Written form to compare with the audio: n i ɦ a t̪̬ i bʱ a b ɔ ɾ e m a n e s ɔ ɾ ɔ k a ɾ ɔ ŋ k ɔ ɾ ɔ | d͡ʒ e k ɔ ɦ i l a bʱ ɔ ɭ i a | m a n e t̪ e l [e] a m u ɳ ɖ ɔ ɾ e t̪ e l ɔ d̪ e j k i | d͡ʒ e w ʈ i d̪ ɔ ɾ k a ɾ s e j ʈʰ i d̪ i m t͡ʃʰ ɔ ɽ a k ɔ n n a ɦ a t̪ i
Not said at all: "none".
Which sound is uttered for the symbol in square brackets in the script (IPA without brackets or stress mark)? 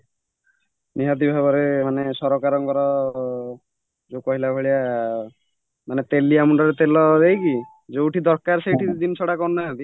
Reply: i